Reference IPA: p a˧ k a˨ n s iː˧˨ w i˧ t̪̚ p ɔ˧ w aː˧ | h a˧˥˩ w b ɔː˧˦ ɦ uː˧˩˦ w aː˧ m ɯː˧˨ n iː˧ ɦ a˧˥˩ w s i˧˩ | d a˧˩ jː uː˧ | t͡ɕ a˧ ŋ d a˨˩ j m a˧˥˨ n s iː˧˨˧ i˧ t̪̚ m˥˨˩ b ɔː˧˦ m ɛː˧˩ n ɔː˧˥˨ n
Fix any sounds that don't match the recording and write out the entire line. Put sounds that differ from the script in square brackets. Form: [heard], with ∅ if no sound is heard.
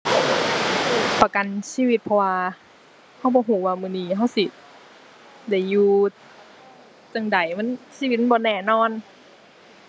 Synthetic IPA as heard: p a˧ k a˨ n s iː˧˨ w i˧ t̪̚ [pʰ] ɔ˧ w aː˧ | h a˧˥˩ w b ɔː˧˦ ɦ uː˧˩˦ w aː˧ m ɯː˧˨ n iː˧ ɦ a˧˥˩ w s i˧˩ | d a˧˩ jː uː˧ | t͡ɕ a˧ ŋ d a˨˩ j m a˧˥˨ n s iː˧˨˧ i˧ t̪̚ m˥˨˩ b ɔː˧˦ [n] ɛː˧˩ n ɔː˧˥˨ n